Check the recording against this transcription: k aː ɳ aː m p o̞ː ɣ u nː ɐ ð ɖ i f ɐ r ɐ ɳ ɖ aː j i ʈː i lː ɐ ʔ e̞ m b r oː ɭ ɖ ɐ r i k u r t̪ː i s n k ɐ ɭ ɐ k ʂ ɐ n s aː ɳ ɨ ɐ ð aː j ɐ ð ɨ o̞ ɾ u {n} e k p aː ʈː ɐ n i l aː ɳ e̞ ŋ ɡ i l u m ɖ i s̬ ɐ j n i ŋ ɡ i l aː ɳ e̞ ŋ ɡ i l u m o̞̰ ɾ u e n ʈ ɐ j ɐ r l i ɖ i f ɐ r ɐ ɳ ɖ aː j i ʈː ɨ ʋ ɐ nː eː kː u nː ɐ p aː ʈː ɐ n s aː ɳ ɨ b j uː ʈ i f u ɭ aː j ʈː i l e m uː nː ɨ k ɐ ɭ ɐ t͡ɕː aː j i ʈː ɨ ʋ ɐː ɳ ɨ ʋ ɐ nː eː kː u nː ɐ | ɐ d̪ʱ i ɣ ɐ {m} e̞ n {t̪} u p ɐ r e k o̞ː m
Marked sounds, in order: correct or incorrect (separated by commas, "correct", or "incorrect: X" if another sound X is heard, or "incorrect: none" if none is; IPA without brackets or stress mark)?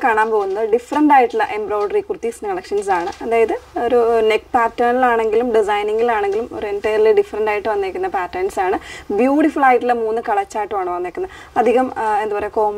correct, correct, incorrect: d̪